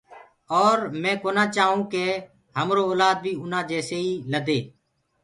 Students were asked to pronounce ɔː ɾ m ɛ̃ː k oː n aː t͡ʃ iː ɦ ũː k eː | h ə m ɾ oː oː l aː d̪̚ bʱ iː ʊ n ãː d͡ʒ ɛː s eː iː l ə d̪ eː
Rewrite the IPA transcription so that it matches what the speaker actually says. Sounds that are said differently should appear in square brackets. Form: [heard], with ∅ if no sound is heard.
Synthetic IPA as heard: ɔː ɾ m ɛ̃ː k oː n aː t͡ʃ [aː] ɦ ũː k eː | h ə m ɾ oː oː l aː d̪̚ bʱ iː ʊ n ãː d͡ʒ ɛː s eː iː l ə d̪ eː